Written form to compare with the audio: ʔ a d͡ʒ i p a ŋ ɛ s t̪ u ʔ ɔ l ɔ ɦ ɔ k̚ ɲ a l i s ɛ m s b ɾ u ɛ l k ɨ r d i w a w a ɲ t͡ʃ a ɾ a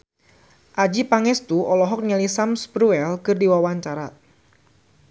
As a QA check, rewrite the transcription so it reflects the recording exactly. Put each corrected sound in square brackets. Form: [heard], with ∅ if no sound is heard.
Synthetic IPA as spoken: ʔ a d͡ʒ i p a ŋ ɛ s t̪ u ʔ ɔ l ɔ ɦ ɔ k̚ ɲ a l i s [a] m s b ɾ u ɛ l k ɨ r d i w a w a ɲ t͡ʃ a ɾ a